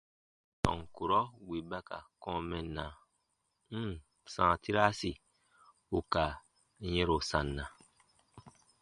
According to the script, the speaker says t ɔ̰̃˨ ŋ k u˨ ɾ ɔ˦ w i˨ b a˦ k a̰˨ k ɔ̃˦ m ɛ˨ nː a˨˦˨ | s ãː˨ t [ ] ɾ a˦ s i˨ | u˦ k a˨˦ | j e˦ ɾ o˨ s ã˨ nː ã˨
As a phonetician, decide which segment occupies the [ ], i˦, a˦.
i˦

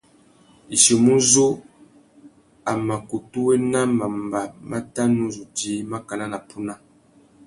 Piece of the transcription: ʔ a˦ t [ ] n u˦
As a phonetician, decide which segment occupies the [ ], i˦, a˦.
a˦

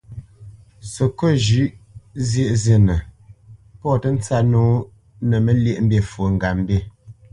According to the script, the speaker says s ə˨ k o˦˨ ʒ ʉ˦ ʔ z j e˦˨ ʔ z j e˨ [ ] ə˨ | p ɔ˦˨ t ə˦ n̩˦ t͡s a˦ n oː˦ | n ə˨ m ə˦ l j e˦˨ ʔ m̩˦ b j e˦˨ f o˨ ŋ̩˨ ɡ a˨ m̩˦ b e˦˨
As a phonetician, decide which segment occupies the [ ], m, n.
n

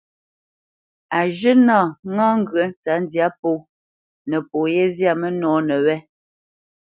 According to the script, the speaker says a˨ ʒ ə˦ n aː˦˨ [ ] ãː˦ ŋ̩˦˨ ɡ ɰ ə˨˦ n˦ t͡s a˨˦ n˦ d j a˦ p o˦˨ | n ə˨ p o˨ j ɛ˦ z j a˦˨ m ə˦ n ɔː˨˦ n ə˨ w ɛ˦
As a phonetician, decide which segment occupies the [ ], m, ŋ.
ŋ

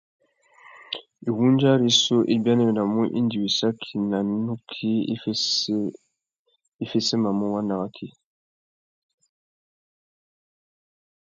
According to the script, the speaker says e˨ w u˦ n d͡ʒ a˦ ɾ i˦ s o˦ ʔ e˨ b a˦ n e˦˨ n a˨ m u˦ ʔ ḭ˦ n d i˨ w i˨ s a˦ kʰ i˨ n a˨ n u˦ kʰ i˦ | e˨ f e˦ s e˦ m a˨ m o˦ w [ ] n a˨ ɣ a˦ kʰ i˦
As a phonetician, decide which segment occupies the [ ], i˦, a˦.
a˦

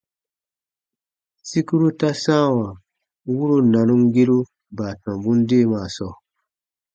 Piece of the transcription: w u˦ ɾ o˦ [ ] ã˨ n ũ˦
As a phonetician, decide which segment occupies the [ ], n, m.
n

